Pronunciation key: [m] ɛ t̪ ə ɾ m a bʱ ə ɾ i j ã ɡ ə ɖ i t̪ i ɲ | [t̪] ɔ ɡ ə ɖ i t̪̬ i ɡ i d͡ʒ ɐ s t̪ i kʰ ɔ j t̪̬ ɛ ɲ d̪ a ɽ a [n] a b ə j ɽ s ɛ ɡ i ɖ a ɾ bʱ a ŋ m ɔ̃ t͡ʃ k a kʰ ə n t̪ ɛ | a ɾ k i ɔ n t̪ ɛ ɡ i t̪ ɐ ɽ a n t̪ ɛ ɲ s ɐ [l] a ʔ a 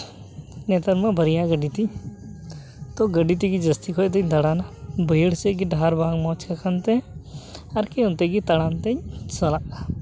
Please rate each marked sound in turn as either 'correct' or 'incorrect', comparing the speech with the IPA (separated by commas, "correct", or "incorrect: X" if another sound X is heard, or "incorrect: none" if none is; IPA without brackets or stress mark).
incorrect: n, correct, correct, correct